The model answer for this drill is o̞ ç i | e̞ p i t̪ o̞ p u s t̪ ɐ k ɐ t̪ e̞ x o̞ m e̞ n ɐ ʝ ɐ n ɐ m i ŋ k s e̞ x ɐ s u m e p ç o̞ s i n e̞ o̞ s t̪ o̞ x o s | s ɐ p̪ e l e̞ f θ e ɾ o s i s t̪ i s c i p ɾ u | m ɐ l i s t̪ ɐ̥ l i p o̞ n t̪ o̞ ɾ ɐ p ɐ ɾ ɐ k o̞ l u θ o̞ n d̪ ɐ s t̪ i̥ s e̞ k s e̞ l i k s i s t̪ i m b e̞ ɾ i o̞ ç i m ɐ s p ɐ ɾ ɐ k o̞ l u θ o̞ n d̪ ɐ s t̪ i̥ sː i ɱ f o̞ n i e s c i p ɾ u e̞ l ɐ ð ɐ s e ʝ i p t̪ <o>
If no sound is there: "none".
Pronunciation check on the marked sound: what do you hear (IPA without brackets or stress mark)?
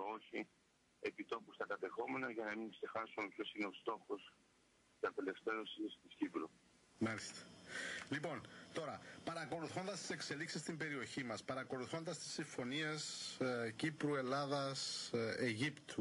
u